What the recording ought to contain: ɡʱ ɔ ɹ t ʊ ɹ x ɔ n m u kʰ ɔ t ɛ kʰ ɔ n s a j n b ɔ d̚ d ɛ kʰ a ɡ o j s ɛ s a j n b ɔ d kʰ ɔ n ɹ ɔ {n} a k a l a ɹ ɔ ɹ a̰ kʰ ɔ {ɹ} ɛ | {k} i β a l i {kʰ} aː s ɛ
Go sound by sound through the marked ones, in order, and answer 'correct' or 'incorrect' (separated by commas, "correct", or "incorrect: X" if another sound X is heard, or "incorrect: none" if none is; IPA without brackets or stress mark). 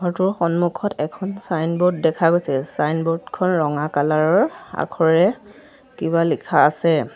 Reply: incorrect: ŋ, correct, correct, correct